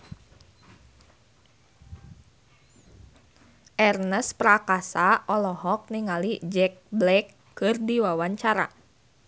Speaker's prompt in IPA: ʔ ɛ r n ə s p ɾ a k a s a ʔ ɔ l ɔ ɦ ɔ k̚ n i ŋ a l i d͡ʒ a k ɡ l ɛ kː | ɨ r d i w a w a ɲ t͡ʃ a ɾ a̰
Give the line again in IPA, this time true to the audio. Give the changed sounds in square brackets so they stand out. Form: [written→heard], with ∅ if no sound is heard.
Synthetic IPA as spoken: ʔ ɛ r n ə s p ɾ a k a s a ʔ ɔ l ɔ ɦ ɔ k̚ n i ŋ a l i d͡ʒ [a→ɛ] k [ɡ→b] l ɛ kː | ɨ r d i w a w a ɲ t͡ʃ a ɾ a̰